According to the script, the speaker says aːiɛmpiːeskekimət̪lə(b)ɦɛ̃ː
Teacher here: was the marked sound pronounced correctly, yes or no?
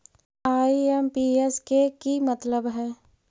yes